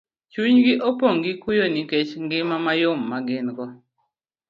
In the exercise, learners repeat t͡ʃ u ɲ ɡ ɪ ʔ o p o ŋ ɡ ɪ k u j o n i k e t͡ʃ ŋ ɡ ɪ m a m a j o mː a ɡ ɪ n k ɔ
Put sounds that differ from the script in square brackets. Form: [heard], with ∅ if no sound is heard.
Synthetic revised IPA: t͡ʃ u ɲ ɡ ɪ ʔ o p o ŋ ɡ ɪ k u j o n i k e t͡ʃ ŋ ɡ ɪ m a m a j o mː a ɡ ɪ n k ɔ